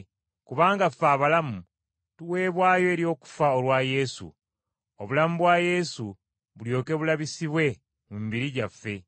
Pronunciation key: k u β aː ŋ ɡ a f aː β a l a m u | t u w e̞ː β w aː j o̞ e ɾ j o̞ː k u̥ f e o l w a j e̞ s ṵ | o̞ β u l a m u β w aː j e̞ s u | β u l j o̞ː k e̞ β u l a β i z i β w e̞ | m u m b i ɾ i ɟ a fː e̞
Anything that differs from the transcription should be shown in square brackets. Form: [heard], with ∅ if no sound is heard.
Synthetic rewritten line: k u β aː ŋ ɡ a f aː β a l a m u | t u w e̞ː β w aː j o̞ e ɾ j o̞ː k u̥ f [a] o l w a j e̞ s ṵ | o̞ β u l a m u β w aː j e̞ s u | β u l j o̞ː k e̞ β u l a β i [s] i β w e̞ | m u m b i ɾ i ɟ a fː e̞